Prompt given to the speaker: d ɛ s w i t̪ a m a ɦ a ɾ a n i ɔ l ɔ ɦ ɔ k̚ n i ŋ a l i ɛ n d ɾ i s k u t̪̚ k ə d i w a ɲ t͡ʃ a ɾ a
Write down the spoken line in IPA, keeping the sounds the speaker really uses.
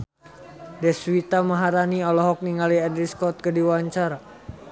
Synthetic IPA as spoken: d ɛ s w i t̪ a m a ɦ a ɾ a n i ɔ l ɔ ɦ ɔ k̚ n i ŋ a l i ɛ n d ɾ i s k ɔ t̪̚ k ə d i w a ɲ t͡ʃ a ɾ a